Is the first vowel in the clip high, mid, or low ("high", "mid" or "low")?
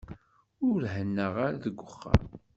high